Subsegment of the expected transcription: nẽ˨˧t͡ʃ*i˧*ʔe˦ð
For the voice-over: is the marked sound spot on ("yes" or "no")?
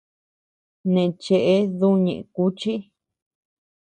no